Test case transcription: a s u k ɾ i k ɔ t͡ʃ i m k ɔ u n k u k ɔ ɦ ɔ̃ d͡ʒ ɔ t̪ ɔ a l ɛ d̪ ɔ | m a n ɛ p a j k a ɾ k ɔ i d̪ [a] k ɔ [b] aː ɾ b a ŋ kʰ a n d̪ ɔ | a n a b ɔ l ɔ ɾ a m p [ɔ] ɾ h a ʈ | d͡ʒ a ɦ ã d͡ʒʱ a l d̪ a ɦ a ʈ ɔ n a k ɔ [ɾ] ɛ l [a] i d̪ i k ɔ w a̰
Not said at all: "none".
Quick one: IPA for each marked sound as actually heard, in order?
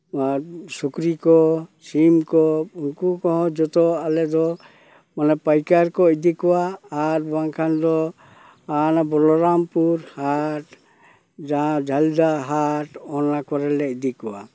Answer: i, w, u, ɾ, ɛ

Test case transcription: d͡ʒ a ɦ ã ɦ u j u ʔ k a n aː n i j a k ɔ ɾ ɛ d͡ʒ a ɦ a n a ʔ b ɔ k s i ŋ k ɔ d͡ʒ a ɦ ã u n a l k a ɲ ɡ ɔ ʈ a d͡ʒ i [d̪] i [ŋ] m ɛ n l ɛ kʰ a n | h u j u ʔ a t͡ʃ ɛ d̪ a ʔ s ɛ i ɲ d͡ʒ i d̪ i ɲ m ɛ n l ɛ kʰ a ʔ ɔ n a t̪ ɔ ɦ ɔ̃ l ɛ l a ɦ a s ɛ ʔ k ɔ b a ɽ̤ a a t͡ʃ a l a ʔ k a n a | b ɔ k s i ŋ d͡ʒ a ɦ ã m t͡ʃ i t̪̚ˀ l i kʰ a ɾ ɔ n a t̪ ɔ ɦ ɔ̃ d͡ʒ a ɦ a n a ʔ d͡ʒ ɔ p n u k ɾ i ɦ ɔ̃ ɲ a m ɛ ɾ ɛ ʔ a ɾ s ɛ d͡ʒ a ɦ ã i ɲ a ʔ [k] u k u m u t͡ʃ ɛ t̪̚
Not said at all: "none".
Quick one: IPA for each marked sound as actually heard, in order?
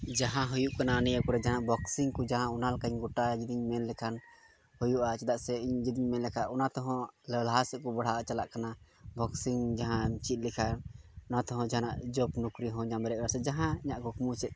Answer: d̪, ɲ, k

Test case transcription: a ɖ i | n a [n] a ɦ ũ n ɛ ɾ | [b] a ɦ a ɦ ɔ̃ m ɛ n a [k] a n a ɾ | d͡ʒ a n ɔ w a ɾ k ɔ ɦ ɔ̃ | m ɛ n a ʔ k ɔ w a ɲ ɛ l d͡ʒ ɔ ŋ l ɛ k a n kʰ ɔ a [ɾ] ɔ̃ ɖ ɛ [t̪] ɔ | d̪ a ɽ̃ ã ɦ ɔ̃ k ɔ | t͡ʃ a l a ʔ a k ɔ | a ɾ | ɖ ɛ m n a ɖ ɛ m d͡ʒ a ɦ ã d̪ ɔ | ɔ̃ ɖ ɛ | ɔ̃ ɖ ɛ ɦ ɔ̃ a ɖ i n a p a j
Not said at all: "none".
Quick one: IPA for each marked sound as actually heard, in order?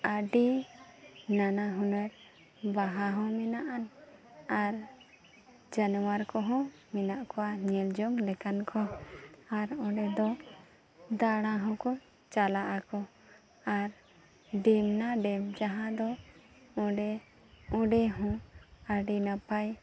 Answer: n, b, ʔ, ɾ, d̪

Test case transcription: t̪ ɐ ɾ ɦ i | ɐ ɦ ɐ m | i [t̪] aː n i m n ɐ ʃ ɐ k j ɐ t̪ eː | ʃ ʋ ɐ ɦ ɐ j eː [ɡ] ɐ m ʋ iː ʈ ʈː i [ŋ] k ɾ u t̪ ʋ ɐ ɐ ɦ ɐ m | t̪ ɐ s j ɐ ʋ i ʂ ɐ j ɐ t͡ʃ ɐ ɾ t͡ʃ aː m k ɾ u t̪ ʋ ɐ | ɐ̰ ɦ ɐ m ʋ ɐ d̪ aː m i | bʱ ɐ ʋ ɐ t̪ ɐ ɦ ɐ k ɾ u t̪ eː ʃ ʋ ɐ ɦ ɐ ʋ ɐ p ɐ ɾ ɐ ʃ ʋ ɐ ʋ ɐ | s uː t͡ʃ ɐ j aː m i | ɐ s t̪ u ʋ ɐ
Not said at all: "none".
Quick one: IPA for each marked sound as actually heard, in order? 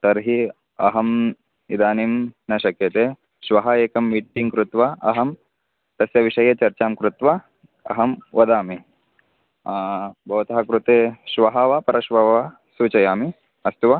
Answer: d̪, k, ŋ

